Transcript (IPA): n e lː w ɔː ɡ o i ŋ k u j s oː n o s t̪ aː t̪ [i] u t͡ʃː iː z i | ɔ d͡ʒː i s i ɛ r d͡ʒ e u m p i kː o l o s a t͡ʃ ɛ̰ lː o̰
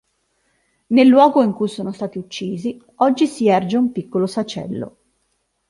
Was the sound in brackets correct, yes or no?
yes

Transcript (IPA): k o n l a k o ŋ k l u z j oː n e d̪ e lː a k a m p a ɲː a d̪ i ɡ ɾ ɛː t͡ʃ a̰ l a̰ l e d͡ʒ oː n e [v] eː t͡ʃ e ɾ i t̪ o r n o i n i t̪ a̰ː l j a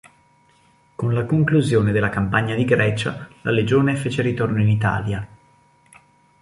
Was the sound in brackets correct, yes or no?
no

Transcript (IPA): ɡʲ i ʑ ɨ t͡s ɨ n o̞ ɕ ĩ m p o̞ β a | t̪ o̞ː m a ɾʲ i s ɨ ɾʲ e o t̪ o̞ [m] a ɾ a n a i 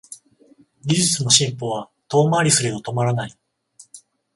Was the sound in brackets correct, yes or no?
yes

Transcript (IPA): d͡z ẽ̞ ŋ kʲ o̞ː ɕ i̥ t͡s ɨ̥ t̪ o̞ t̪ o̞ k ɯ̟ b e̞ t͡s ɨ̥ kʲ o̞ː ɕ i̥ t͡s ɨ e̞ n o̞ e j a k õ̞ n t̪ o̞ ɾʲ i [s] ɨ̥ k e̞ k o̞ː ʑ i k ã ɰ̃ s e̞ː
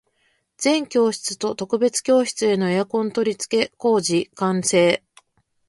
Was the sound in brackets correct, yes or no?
no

